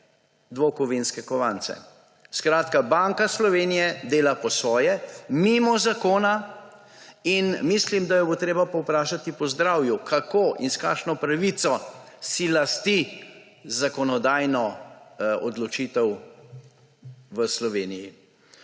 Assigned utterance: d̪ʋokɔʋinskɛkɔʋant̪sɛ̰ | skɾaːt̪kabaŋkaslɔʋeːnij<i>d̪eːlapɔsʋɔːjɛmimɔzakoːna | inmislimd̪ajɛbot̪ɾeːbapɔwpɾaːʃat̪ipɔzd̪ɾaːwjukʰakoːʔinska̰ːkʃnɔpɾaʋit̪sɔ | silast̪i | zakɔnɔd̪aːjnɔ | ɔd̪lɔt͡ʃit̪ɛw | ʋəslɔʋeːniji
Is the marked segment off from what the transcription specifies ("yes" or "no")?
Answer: yes